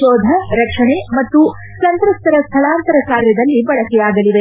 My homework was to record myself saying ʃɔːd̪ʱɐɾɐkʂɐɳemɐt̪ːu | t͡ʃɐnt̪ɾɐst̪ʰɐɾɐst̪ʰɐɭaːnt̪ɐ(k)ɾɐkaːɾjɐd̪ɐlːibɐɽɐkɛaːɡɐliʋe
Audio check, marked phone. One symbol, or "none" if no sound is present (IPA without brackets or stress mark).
none